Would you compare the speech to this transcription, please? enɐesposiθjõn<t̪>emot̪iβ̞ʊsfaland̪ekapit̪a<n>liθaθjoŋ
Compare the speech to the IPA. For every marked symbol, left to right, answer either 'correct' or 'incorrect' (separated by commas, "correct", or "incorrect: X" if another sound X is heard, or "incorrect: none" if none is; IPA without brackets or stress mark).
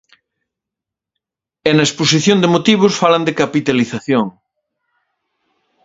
incorrect: d̪, incorrect: none